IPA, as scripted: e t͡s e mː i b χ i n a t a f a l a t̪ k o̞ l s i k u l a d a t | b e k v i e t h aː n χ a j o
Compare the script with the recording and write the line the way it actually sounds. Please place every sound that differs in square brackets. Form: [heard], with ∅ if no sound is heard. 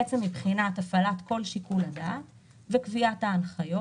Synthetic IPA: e t͡s e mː i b χ i n a t a f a l a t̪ k o̞ l [ʃ] i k u l a d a t | [v] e k v i [a] t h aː n χ a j o